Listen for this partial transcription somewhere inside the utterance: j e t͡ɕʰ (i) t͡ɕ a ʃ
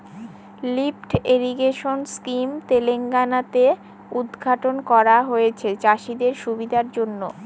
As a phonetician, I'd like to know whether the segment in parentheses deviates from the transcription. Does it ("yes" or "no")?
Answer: yes